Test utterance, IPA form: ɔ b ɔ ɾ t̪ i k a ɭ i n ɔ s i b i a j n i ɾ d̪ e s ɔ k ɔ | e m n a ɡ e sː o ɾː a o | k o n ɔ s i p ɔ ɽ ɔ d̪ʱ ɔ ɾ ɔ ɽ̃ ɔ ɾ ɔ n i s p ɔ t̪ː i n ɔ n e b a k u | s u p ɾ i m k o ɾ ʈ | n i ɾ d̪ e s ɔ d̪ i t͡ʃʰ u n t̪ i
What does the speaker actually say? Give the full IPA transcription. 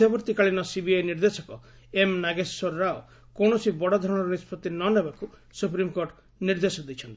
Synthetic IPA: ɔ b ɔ ɾ t̪ i k a ɭ i n ɔ s i b i a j n i ɾ d̪ e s ɔ k ɔ | e m n a ɡ e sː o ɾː a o | k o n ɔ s i b ɔ ɽ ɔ d̪ʱ ɔ ɾ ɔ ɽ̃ ɔ ɾ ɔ n i s p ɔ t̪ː i n ɔ n e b a k u | s u p ɾ i m k o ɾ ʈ | n i ɾ d̪ e s ɔ d̪ i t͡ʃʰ ɔ n t̪ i